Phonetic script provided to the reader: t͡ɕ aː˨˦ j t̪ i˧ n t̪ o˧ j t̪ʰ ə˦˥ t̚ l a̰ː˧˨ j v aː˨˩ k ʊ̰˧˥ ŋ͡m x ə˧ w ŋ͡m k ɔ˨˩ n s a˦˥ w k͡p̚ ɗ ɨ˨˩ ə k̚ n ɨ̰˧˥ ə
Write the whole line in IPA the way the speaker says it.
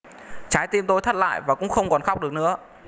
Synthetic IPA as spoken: t͡ɕ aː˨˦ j t̪ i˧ m t̪ o˧ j t̪ʰ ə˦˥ t̚ l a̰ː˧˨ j v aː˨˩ k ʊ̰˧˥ ŋ͡m x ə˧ w ŋ͡m k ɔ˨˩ n x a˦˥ w k͡p̚ ɗ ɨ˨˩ ə k̚ n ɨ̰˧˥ ə